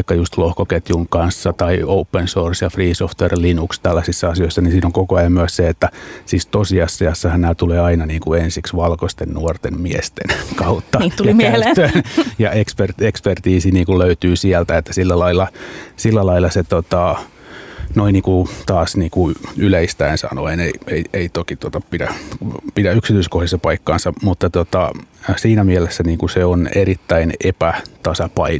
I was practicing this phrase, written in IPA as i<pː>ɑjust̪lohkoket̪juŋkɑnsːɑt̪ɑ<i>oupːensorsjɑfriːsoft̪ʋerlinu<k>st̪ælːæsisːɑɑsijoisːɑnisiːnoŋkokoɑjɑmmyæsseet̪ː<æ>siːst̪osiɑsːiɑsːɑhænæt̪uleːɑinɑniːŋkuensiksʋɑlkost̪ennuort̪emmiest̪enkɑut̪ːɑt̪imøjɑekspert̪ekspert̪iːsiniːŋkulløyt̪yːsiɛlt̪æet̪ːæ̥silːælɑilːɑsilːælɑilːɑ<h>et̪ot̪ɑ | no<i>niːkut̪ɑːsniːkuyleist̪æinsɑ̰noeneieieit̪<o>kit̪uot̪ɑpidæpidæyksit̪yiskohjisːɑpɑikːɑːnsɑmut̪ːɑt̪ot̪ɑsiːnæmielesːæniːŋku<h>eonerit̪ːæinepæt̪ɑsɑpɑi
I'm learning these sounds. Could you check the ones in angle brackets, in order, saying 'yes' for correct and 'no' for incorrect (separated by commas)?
no, yes, yes, yes, no, yes, yes, no